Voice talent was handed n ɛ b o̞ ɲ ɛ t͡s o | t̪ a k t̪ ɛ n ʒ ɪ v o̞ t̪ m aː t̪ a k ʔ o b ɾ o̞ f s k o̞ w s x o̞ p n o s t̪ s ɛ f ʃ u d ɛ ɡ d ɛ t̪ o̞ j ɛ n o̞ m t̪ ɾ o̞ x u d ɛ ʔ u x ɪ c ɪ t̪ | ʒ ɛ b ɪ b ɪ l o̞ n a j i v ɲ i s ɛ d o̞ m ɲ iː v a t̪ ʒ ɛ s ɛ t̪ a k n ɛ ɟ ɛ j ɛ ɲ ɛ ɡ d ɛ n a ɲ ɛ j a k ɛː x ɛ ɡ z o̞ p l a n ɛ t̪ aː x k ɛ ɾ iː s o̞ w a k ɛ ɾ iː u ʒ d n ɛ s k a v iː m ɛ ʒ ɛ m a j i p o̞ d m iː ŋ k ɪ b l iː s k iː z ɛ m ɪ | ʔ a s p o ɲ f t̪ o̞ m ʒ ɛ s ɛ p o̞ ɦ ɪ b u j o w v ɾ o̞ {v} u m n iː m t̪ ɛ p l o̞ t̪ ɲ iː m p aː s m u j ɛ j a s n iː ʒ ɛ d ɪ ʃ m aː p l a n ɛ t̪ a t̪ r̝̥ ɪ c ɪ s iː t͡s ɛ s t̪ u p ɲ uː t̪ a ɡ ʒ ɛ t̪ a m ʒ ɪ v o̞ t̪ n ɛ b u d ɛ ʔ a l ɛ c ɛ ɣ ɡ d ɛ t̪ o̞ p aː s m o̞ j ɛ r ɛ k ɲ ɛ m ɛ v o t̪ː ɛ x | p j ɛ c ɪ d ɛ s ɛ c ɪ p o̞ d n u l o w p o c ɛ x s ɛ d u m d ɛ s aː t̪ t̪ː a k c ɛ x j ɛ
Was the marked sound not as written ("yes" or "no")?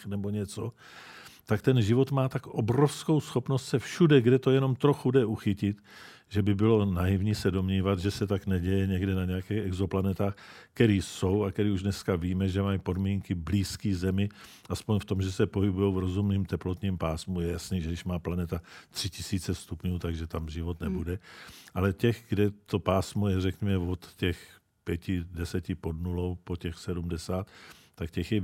yes